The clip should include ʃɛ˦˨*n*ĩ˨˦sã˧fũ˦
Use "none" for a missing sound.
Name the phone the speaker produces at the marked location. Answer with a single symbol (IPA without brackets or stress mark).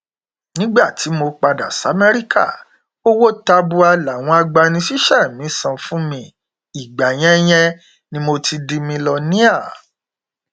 m